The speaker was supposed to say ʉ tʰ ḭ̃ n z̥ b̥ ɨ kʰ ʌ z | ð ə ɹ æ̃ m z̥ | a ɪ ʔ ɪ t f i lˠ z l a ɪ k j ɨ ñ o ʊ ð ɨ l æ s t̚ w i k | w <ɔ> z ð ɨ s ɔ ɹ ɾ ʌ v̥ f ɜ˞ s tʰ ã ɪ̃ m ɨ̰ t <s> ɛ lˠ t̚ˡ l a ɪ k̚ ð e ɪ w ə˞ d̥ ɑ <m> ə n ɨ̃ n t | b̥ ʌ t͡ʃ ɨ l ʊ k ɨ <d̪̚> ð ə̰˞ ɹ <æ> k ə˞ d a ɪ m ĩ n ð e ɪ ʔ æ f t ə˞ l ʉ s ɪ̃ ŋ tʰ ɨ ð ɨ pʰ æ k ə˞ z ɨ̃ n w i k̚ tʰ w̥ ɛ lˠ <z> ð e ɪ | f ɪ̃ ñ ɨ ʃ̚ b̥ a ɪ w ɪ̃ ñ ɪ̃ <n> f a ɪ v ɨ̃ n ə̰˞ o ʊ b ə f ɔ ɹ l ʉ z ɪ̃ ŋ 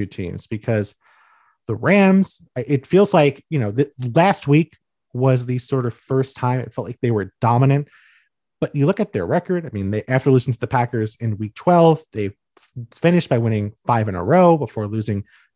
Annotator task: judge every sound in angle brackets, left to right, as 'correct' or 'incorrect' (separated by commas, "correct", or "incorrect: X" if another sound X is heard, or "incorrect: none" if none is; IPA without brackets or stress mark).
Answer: incorrect: ʌ, incorrect: f, correct, incorrect: t̪̚, incorrect: ɛ, incorrect: v, incorrect: ŋ